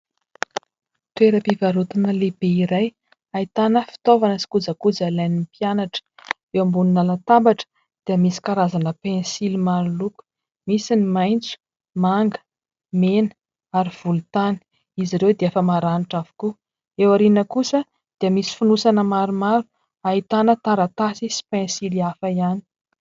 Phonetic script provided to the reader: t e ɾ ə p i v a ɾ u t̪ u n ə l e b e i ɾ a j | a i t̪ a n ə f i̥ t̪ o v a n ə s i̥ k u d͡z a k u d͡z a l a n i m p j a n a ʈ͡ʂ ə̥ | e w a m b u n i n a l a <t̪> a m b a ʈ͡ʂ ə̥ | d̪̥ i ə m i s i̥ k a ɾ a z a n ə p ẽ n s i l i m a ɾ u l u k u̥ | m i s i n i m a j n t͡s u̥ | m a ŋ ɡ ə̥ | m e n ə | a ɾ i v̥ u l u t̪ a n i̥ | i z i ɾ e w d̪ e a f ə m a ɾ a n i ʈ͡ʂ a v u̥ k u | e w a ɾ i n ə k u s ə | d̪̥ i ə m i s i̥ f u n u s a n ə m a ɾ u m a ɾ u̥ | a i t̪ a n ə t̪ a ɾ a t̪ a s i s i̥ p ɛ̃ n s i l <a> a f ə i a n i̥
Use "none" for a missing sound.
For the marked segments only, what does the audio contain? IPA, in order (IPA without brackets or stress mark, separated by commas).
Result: t̪, i